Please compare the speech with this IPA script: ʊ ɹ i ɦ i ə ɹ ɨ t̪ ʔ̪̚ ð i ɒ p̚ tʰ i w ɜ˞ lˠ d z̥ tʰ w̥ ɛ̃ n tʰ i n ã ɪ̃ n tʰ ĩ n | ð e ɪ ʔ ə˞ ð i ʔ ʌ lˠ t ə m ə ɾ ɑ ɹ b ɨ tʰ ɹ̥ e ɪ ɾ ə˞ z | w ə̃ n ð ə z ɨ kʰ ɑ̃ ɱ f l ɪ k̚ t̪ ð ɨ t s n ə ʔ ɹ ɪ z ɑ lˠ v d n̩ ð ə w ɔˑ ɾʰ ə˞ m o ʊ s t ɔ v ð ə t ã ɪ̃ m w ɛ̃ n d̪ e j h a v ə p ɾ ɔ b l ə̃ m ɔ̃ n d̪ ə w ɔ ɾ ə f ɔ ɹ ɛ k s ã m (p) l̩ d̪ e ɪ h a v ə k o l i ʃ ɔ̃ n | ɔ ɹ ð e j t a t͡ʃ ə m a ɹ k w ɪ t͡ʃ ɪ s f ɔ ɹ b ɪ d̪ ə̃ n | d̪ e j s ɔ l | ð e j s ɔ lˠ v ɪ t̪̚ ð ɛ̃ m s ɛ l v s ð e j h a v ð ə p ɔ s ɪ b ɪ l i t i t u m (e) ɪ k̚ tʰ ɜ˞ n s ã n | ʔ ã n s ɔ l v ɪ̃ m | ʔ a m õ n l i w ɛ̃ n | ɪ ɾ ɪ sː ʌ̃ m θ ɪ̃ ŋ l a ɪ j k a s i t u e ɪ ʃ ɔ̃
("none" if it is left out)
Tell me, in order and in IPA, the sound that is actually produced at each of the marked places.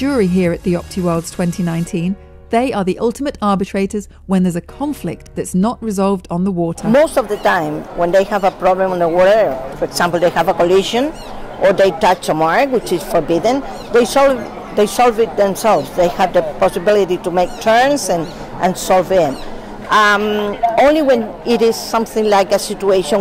p, e

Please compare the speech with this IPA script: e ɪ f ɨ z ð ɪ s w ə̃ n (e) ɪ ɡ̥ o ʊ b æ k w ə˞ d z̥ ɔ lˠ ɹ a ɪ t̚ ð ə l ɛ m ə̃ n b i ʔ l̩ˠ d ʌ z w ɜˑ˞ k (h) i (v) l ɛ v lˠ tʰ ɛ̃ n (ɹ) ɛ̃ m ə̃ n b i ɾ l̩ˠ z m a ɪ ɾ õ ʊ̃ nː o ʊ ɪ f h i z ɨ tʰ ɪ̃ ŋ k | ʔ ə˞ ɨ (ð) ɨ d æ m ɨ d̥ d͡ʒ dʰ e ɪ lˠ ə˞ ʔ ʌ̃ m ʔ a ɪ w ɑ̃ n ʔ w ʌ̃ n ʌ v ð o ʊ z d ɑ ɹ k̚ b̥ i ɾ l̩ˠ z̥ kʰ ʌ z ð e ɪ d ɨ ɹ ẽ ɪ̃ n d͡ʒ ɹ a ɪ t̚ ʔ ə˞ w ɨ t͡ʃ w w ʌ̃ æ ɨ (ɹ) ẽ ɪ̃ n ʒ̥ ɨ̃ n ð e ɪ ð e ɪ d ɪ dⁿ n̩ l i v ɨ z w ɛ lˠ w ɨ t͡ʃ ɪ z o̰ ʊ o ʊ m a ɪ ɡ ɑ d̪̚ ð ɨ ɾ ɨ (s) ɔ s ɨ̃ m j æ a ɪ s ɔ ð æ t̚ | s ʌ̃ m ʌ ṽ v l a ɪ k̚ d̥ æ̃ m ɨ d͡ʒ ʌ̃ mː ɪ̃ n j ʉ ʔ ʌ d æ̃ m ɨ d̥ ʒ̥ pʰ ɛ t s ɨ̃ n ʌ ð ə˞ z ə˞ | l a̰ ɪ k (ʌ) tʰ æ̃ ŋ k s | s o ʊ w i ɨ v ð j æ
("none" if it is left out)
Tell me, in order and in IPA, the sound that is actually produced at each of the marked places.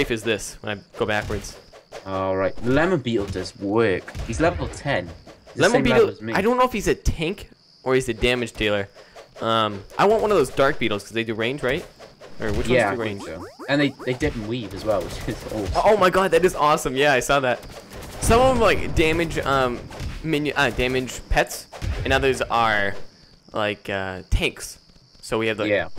a, h, z, l, z, ɹ, z, ʌ

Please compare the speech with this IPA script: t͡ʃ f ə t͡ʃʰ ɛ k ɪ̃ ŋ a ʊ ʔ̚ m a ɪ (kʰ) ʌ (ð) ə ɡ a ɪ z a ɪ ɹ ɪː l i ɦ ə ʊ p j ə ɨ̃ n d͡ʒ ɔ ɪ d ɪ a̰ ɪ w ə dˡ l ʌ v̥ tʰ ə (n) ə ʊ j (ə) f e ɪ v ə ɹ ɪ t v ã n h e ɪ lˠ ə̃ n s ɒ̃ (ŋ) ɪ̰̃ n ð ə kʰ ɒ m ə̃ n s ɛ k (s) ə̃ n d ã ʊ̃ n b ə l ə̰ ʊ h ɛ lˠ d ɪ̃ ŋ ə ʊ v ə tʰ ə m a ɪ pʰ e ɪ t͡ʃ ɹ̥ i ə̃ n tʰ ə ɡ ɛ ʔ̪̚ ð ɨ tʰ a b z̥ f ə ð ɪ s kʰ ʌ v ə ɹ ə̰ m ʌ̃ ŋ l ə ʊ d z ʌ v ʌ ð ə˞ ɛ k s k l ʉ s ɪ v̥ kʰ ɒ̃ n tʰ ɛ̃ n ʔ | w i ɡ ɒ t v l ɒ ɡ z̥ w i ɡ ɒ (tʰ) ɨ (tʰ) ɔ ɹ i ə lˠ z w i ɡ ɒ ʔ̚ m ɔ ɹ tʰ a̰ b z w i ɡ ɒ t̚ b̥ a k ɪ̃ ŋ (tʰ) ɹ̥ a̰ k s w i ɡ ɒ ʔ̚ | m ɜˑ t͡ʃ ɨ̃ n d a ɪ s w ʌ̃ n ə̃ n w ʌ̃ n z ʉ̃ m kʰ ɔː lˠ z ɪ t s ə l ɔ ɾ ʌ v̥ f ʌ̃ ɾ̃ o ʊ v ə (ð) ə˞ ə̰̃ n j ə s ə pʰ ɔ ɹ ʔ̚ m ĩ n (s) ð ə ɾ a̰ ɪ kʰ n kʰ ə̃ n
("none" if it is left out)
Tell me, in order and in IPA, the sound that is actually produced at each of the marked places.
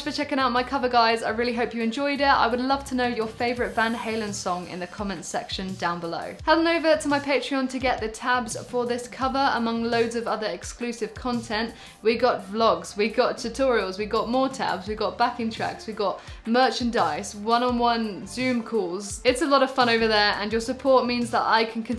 kʰ, v, n, ə, ŋ, ʃ, tʰ, tʰ, tʰ, ð, z

